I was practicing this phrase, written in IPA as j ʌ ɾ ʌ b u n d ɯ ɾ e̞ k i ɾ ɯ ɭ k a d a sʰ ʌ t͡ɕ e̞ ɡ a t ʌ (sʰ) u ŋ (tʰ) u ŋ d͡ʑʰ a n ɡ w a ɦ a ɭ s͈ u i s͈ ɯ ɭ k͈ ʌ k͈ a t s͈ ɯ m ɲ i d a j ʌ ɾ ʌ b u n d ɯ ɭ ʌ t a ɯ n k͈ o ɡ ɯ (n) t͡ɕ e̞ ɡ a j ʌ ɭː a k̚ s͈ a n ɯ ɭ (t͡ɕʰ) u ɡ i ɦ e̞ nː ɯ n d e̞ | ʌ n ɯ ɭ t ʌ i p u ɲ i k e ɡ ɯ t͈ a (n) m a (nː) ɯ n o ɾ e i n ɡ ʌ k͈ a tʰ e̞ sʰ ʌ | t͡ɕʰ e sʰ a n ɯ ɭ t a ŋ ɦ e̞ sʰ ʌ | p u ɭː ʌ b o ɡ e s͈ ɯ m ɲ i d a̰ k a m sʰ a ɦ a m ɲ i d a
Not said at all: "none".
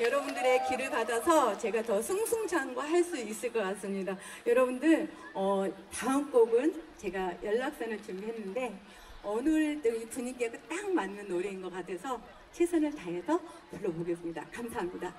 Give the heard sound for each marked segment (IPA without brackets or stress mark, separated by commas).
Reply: sʰ, sʰ, n, t͡ɕ, ŋ, nː